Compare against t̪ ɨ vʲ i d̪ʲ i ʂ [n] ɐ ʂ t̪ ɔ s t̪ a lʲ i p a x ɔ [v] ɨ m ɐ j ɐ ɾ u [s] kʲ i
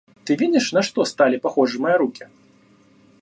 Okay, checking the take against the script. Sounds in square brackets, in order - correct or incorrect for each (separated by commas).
correct, incorrect, incorrect